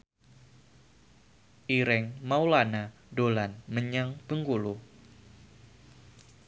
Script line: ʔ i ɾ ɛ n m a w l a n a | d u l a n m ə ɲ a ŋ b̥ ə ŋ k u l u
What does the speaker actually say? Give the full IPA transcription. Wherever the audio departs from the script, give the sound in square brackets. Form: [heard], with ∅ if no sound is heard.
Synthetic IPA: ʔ i ɾ ɛ [ŋ] m a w l a n a | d [o] l a n m ə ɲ a ŋ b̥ ə ŋ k u l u